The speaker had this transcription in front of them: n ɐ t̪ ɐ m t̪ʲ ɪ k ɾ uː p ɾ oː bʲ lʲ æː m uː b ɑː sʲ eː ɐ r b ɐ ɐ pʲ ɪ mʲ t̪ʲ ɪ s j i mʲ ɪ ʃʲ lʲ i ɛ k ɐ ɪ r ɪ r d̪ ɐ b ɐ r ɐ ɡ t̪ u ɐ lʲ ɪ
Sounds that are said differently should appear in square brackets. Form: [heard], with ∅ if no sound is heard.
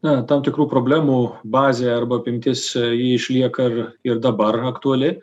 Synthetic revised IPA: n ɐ t̪ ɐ m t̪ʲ ɪ k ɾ uː p ɾ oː bʲ lʲ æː m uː b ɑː [zʲ] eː ɐ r b ɐ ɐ pʲ ɪ mʲ t̪ʲ ɪ s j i [∅] ɪ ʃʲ lʲ i ɛ k ɐ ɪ r ɪ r d̪ ɐ b ɐ r ɐ [k] t̪ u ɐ lʲ ɪ